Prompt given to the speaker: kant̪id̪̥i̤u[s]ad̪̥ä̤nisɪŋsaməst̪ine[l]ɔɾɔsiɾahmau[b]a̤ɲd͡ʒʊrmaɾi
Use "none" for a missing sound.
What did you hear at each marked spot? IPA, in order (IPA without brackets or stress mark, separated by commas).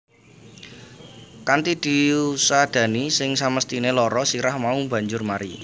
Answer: s, l, b